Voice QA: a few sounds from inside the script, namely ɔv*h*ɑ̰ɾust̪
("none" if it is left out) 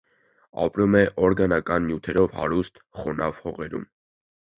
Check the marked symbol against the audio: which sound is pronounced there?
h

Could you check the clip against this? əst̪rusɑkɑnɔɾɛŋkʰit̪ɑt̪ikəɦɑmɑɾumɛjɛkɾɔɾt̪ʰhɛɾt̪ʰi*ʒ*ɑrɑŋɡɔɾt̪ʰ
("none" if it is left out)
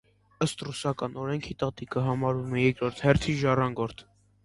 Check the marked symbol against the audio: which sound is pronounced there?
ʒ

